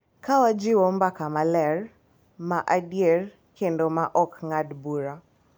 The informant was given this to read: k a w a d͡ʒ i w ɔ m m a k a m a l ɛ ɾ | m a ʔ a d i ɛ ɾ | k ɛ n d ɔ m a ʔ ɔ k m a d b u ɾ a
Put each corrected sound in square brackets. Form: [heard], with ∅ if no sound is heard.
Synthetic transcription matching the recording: k a w a d͡ʒ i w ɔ m [b] a k a m a l ɛ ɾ | m a ʔ a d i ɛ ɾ | k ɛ n d ɔ m a ʔ ɔ k [ŋ] a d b u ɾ a